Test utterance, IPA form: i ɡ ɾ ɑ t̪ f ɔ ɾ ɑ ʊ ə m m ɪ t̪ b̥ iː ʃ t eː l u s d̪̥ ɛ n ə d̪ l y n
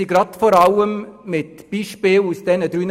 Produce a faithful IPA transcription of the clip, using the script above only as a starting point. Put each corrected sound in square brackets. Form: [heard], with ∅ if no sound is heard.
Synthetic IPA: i ɡ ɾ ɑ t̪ f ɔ ɾ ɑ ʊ ə m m ɪ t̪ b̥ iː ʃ [p] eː l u s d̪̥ ɛ n ə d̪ [ɾ] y n